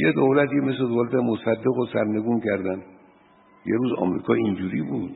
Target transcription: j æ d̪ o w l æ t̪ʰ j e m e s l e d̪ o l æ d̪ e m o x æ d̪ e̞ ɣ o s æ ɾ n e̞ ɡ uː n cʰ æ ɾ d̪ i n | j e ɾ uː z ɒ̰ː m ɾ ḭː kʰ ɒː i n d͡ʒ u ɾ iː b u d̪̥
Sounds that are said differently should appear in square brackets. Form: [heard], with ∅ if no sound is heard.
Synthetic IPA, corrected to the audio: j [e] d̪ o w l æ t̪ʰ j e m e s l e d̪ o l æ [t̪] e m o [s] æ [d̪ː] e̞ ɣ o s æ ɾ n e̞ ɡ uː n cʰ æ ɾ d̪ [æ] n | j e ɾ uː z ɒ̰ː m ɾ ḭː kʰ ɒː i n d͡ʒ u ɾ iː b u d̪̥